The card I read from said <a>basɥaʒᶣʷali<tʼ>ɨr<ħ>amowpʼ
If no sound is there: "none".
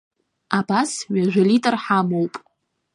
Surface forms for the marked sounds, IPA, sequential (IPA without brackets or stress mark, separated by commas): a, tʼ, ħ